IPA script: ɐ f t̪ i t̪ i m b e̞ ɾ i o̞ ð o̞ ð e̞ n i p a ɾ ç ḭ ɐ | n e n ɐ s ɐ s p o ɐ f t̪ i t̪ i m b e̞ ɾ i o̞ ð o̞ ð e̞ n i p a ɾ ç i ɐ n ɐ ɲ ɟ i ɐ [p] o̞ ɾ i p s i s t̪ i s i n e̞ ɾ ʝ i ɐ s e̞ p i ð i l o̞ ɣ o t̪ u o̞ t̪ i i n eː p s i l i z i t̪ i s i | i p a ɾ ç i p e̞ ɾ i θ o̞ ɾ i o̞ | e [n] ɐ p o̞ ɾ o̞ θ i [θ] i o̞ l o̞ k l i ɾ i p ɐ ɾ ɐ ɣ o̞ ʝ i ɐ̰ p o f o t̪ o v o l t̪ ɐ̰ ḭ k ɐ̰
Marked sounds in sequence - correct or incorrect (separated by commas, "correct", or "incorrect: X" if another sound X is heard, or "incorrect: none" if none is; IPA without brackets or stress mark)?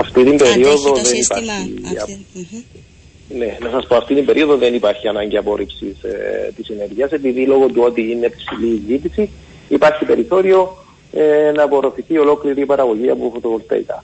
correct, correct, correct